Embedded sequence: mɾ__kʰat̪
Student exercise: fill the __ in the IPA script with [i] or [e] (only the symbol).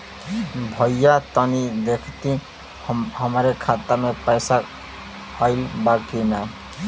e